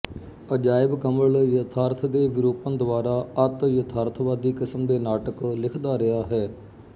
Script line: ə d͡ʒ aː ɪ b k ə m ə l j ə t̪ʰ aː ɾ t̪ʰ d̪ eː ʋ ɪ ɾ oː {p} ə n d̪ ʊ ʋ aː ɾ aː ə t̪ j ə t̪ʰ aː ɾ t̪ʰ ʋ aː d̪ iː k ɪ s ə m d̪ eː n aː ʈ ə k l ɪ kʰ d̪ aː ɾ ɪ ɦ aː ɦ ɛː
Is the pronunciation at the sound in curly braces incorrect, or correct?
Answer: correct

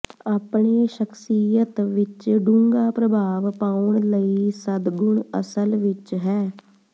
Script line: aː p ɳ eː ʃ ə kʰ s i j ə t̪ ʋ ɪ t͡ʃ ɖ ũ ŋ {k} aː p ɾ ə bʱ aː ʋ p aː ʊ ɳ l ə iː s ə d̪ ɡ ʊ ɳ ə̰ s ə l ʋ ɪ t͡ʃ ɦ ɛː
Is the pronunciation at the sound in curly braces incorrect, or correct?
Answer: incorrect: ɡ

